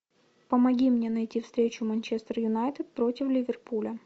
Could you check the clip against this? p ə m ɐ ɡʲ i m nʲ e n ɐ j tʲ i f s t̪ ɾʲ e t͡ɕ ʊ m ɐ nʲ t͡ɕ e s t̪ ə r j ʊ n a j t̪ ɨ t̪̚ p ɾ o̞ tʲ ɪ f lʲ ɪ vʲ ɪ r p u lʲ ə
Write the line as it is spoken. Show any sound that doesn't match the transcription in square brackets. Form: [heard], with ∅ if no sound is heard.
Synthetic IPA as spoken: p ə m ɐ ɡʲ i m nʲ e n ɐ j tʲ i f s t̪ ɾʲ e t͡ɕ ʊ m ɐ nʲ t͡ɕ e s t̪ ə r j ʊ n a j t̪ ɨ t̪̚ p ɾ o̞ tʲ ɪ f lʲ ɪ vʲ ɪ r p u lʲ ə